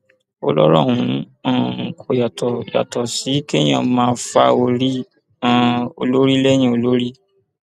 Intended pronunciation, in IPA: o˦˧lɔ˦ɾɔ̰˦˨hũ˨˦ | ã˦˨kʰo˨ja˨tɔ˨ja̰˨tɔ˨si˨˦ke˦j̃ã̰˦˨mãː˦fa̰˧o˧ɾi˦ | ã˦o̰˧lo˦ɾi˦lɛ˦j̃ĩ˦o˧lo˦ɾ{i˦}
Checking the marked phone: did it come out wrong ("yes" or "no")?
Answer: no